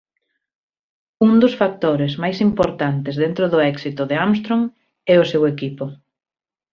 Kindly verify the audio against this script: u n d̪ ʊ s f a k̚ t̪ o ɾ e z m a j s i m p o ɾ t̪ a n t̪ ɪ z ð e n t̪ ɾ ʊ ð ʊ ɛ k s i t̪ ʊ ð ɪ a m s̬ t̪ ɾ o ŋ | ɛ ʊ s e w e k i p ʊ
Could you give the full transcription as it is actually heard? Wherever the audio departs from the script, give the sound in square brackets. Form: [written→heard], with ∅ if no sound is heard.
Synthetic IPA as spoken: u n d̪ ʊ s f a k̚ t̪ o ɾ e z m a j s i m p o ɾ t̪ a n t̪ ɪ z ð e n t̪ ɾ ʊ ð ʊ ɛ k s i t̪ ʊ ð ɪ a m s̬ t̪ ɾ o ŋ | ɛ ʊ s e w e k i p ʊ